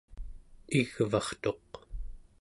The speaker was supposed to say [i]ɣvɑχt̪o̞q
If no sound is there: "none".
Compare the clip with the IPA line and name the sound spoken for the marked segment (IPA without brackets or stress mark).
i